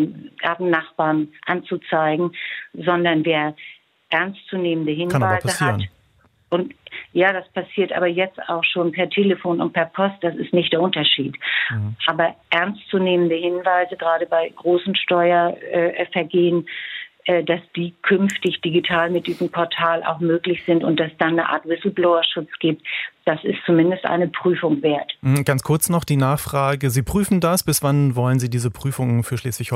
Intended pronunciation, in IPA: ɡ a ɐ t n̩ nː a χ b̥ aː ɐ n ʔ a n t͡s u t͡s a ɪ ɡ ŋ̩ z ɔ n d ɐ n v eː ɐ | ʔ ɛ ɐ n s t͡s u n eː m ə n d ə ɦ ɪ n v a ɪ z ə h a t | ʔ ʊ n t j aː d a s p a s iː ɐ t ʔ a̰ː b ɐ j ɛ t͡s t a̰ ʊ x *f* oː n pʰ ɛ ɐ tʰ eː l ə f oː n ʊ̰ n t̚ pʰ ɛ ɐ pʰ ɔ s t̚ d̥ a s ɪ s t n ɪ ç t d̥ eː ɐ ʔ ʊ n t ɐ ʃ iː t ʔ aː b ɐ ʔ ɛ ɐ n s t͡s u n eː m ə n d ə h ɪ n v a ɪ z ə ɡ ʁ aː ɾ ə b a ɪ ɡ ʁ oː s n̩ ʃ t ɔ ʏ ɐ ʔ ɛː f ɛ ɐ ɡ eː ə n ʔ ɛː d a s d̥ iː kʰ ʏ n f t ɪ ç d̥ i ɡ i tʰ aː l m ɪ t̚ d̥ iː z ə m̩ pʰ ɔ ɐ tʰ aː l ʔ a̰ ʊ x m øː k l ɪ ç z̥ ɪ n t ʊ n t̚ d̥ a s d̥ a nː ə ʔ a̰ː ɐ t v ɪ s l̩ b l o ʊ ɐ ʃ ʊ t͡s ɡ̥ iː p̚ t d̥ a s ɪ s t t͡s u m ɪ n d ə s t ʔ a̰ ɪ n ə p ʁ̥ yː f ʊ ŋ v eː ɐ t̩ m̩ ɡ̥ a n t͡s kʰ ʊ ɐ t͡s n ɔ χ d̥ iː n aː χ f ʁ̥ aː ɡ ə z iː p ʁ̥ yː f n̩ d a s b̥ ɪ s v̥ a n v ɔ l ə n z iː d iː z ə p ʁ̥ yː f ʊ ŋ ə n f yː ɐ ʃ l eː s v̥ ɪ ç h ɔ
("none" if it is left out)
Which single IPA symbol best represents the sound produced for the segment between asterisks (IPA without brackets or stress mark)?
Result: ʃ